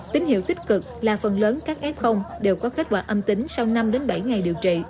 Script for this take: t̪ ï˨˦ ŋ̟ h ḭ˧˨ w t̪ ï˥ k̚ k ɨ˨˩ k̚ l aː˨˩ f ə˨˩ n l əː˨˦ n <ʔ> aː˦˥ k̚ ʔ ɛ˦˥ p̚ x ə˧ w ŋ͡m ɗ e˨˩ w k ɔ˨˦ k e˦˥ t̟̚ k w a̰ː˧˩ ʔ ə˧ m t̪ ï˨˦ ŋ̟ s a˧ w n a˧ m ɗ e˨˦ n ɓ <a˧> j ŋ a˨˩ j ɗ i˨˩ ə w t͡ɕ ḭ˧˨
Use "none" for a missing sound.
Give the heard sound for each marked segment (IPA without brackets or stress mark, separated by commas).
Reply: k, a˧˩